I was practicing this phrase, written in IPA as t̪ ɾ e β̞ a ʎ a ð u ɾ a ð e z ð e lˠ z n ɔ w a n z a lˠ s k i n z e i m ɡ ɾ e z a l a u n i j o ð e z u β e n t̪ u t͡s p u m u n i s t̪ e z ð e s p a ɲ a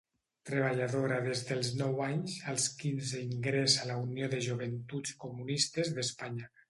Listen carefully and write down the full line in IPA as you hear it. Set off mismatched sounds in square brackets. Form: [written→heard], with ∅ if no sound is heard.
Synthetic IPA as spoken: t̪ ɾ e β̞ a ʎ a ð [u→o] ɾ a ð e z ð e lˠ z n ɔ w a [n→ɲ] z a lˠ s k i n z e i [m→ŋ] ɡ ɾ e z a l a u n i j o ð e [z→ʒ] u β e n t̪ u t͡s [p→k] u m u n i s t̪ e z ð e s p a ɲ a